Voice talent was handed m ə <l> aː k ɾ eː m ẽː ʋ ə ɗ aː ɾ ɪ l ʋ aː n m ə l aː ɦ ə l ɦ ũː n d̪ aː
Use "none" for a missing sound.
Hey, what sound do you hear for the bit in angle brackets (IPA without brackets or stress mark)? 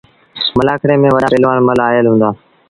l